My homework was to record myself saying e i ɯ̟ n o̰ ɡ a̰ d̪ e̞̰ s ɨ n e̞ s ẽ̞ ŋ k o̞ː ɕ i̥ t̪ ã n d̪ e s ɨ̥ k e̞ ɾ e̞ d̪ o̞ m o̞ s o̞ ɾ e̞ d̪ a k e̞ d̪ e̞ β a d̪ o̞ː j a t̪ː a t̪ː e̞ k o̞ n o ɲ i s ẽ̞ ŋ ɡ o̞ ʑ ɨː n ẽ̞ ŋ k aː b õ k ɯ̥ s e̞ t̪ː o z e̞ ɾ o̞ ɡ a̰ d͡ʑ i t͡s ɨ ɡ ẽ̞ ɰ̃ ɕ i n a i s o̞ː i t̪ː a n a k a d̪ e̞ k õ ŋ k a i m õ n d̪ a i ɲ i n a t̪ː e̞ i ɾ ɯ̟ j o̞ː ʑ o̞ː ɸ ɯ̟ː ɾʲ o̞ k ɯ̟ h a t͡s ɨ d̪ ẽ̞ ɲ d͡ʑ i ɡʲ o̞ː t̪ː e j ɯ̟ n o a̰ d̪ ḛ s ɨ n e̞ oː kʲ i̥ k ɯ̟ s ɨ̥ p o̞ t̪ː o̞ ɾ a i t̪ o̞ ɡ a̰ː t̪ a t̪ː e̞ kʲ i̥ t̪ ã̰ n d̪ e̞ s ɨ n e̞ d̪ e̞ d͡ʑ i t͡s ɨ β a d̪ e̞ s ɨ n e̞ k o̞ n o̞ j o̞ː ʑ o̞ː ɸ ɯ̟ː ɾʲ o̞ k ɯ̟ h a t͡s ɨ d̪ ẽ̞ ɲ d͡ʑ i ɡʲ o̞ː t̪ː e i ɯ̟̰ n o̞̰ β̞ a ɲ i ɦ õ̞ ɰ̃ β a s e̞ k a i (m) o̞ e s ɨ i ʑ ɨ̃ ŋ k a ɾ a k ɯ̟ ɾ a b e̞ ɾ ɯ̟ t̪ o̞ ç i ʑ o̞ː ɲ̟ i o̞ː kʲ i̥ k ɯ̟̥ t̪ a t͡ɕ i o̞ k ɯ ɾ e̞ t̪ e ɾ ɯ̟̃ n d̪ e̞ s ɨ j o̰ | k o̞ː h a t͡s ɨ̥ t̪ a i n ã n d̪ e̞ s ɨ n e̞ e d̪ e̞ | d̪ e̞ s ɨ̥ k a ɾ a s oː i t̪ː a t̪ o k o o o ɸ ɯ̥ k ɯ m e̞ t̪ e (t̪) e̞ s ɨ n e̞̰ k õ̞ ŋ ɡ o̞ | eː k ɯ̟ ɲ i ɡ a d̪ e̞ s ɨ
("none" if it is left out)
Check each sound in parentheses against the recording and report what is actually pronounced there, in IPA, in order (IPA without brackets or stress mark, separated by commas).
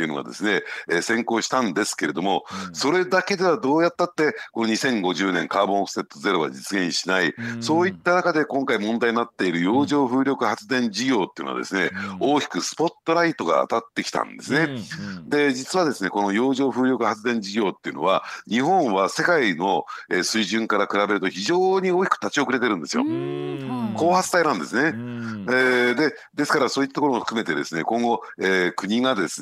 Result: n, d̪